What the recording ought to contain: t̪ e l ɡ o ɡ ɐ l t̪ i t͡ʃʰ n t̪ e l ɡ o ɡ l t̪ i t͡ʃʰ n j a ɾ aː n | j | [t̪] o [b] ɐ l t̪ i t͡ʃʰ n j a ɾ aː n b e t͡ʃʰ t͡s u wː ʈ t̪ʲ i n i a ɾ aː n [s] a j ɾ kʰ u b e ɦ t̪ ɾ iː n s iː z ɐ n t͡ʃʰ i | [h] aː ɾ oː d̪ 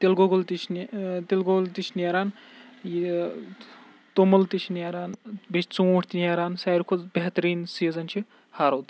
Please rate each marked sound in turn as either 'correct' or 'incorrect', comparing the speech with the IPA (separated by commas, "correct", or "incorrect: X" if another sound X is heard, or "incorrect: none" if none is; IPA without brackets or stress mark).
correct, incorrect: m, correct, correct